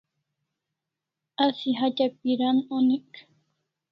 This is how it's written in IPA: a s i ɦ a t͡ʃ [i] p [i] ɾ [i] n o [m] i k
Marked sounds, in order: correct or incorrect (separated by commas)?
incorrect, correct, incorrect, incorrect